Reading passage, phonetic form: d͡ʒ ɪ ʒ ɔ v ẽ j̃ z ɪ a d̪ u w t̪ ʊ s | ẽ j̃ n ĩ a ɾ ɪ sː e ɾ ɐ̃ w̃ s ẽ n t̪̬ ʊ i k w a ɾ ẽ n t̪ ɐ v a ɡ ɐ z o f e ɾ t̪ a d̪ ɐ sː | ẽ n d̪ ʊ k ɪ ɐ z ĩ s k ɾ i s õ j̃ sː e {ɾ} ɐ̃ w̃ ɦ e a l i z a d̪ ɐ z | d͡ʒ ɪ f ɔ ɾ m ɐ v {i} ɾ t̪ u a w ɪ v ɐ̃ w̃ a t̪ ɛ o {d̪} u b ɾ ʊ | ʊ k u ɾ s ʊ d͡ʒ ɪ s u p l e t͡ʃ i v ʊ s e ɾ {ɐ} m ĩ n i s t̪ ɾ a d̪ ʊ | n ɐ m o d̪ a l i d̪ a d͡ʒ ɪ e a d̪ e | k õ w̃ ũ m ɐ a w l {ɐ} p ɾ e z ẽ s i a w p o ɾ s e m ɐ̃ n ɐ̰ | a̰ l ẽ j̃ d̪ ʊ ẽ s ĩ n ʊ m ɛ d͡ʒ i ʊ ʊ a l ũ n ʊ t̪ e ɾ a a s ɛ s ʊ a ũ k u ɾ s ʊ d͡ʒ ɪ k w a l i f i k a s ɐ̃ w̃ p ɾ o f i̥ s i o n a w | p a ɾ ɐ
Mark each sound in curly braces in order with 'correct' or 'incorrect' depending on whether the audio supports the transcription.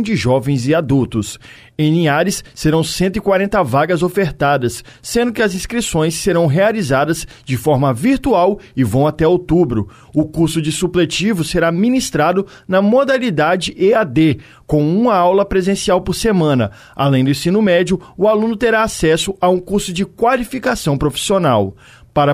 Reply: correct, correct, incorrect: t̪, incorrect: a, correct

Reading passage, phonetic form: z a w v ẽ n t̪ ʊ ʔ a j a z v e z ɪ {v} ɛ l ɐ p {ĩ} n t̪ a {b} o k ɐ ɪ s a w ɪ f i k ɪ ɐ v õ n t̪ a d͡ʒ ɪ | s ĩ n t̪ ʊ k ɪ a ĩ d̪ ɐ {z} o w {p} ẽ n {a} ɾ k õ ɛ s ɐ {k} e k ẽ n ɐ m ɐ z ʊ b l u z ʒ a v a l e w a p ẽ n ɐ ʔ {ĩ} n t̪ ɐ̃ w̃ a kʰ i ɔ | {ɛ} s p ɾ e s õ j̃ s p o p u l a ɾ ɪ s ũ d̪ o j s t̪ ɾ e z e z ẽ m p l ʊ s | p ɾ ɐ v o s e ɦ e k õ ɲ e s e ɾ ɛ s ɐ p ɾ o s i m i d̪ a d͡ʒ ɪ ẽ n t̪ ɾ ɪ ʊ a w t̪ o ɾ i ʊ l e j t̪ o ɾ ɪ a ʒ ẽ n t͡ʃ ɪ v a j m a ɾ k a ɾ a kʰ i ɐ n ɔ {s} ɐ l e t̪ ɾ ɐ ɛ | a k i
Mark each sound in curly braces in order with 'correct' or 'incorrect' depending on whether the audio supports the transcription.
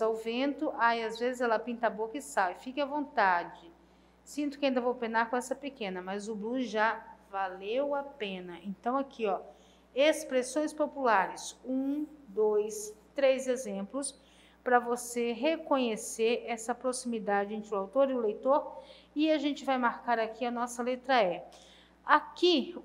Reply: incorrect: z, correct, correct, incorrect: v, correct, correct, incorrect: p, incorrect: ẽ, incorrect: e, correct

